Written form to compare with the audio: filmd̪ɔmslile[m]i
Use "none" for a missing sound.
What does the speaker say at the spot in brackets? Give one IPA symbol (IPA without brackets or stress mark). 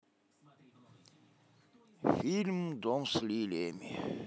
m